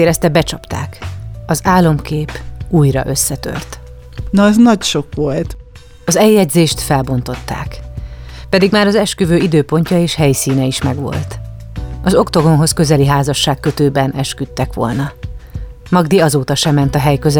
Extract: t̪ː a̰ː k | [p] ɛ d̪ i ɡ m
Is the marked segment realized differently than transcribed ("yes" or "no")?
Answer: no